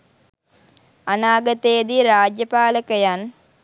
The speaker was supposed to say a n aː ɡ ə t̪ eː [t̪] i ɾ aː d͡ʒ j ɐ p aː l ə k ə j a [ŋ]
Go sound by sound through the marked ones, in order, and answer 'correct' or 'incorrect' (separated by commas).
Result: incorrect, incorrect